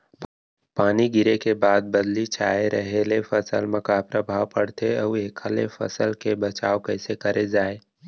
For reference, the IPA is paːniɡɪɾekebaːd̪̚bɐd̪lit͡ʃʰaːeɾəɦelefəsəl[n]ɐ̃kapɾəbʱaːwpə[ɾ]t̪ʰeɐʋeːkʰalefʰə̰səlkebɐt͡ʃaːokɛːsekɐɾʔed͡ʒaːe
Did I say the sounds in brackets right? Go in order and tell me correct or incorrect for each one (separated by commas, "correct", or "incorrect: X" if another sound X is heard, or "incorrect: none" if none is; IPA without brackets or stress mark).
incorrect: m, incorrect: ɽ